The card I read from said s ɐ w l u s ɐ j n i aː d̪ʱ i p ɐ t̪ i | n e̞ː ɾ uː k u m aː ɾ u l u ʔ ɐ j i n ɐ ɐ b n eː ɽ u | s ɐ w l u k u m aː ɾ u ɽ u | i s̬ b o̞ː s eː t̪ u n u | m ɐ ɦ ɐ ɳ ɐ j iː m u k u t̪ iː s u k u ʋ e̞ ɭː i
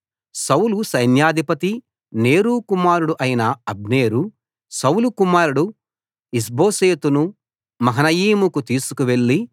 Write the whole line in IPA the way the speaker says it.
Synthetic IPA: s ɐ w l u s ɐ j n j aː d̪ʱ i p ɐ t̪ i | n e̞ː ɾ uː k u m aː ɾ u ɽ u ʔ ɐ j i n ɐ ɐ b n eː ɾ u | s ɐ w l u k u m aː ɾ u ɽ u | i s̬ b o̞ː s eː t̪ u n u | m ɐ ɦ ɐ n ɐ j iː m u k u t̪ iː s u k u ʋ e̞ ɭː i